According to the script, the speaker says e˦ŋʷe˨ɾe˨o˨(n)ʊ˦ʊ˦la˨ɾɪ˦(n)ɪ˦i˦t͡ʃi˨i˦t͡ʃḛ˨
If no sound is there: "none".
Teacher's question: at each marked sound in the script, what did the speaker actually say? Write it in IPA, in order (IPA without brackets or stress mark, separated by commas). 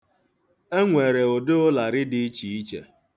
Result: d, d